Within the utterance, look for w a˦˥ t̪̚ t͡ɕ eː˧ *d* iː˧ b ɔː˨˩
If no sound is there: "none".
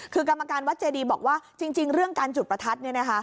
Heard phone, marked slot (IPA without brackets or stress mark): d